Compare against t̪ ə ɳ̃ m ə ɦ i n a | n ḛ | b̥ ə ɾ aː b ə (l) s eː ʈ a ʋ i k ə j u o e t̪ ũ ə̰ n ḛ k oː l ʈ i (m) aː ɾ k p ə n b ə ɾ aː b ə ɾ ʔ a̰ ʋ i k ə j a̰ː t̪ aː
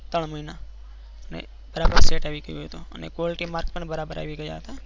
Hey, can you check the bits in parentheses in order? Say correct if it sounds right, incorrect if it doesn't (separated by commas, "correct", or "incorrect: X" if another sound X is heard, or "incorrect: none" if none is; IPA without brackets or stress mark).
incorrect: ɾ, correct